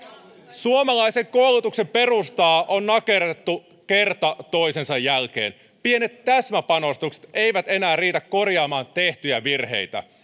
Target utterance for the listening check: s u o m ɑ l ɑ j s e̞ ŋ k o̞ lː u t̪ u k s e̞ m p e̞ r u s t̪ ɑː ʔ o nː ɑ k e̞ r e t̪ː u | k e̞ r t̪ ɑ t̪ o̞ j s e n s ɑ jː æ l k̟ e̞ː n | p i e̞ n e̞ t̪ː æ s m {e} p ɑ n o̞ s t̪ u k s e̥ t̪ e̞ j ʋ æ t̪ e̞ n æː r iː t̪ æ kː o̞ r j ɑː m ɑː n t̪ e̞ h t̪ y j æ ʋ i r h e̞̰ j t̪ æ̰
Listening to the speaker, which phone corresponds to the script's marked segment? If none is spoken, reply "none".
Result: æ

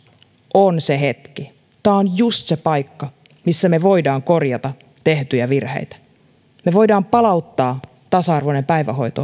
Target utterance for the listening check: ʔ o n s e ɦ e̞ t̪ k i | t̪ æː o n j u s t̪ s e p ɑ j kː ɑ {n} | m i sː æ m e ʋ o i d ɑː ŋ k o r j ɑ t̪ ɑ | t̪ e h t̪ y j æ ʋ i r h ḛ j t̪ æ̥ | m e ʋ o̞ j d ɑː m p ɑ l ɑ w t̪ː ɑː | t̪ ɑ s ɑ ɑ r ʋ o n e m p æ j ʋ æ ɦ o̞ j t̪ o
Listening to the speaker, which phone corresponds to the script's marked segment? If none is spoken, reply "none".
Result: none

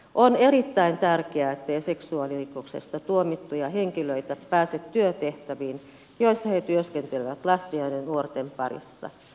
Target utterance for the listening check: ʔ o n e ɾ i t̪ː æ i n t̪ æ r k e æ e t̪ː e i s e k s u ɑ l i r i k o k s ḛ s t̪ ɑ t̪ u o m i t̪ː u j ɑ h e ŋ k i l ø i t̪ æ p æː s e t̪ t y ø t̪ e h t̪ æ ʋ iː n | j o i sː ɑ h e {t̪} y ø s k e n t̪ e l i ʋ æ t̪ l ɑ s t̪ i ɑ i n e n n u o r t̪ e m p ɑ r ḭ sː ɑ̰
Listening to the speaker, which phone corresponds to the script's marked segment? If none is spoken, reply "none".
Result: t̪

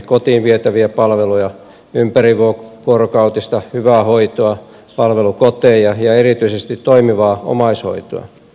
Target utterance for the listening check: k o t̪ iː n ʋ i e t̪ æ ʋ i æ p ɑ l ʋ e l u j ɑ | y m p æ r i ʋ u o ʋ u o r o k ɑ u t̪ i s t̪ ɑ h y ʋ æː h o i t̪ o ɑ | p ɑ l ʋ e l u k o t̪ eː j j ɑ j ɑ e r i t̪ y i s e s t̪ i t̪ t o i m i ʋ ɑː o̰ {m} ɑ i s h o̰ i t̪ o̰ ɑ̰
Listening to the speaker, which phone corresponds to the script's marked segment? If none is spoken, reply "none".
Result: m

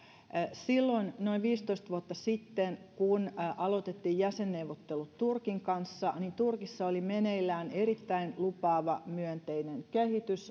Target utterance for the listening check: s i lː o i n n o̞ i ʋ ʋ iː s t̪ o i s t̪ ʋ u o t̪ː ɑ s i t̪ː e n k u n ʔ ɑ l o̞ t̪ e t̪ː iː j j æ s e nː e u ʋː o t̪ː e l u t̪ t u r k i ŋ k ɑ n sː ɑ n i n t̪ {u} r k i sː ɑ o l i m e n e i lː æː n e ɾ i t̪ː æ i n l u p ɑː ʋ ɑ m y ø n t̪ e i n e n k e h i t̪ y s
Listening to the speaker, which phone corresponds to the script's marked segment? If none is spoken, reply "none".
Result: u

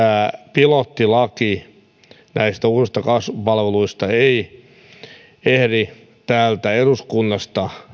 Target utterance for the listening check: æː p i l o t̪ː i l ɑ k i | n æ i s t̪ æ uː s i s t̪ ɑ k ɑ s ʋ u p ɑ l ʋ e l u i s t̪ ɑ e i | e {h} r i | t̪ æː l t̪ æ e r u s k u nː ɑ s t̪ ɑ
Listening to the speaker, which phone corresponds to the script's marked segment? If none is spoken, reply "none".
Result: h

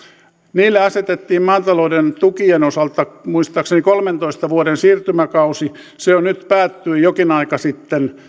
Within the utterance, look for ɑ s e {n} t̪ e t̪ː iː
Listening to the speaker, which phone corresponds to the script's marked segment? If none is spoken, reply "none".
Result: none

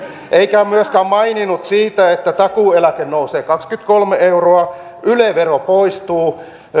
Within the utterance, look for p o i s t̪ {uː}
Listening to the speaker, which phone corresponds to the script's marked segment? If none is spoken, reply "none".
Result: uː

